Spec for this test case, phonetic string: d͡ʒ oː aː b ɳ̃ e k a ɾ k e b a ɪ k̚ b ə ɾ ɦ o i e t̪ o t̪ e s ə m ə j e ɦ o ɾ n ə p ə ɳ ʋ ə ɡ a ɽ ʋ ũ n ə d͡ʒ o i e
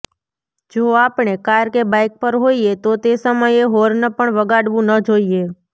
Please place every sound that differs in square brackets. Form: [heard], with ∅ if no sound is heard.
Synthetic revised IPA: d͡ʒ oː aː [p] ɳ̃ e k a ɾ k e b a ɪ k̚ [p] ə ɾ ɦ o i e t̪ o t̪ e s ə m ə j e ɦ o ɾ n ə p ə ɳ ʋ ə ɡ a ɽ ʋ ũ n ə d͡ʒ o i e